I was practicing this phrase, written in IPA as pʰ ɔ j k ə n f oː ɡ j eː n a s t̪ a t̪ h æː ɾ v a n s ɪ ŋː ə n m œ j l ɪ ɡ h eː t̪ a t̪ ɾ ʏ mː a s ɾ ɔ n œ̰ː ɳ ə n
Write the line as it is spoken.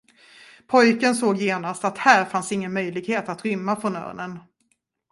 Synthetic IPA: pʰ ɔ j k ə n s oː ɡ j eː n a s t̪ a t̪ h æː ɾ f a n s ɪ ŋː ə n m œ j l ɪ ɡ h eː t̪ a t̪ ɾ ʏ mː a f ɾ ɔ n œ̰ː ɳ ə n